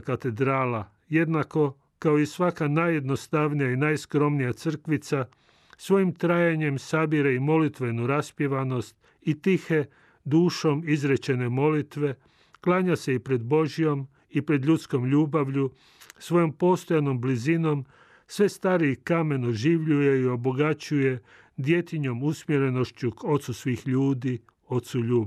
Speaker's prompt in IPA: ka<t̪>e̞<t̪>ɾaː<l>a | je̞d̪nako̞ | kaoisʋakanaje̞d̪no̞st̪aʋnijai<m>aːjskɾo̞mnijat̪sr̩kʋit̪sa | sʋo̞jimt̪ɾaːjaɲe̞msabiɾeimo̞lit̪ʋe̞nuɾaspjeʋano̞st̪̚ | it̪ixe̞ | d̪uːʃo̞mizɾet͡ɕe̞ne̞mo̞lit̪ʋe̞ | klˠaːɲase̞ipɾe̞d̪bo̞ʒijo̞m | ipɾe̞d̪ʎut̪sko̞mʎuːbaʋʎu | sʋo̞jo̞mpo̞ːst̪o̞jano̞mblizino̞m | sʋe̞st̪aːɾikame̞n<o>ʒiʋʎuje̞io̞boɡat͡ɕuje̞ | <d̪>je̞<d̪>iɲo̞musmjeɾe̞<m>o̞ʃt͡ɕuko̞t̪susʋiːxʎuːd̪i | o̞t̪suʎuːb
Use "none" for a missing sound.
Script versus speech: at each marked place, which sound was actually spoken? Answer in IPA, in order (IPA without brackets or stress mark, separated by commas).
t̪, d̪, l, n, o, d̪, t̪, n